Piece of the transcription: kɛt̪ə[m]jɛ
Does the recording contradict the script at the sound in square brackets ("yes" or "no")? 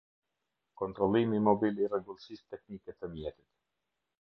no